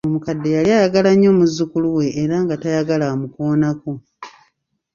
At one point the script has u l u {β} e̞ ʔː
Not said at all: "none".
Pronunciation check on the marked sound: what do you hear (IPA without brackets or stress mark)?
w